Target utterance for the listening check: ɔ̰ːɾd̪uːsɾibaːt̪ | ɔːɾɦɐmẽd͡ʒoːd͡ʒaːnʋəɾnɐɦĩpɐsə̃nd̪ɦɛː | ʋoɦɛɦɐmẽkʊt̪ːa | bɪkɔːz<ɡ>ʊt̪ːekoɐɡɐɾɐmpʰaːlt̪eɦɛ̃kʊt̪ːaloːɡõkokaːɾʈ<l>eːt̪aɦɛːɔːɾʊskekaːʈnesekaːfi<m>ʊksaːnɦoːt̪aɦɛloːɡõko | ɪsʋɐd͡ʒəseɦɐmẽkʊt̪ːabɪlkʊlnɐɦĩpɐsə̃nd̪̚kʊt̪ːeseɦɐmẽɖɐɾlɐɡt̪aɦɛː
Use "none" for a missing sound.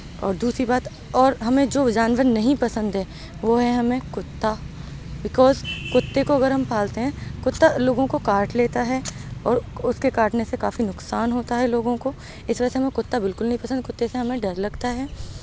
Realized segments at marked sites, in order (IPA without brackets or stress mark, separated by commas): k, l, n